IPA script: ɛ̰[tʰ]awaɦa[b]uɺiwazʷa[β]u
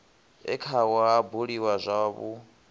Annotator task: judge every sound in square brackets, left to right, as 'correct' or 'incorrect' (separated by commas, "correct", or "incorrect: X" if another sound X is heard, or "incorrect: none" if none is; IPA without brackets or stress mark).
incorrect: kʰ, correct, correct